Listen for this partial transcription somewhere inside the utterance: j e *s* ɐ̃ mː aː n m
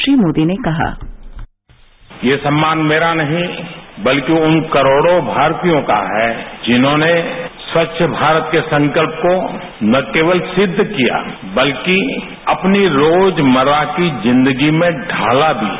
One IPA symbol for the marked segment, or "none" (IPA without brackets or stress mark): s